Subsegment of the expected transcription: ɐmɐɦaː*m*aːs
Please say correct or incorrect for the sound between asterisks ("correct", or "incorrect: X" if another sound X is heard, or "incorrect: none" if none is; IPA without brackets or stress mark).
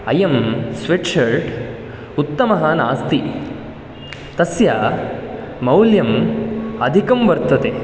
incorrect: n